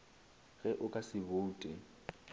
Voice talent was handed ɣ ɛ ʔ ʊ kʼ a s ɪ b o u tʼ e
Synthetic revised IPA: ɣ ɛ ʔ ʊ kʼ a s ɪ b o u tʼ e